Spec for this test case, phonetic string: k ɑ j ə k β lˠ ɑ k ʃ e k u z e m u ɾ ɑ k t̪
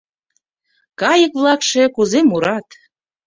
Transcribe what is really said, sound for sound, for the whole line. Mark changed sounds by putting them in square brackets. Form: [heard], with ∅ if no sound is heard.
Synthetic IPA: k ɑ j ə k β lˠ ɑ k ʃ e k u z e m u ɾ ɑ [∅] t̪